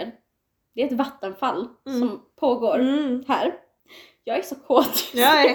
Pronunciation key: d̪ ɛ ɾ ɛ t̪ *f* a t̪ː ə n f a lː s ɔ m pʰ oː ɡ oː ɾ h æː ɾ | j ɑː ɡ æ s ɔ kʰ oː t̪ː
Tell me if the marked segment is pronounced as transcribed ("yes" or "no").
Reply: no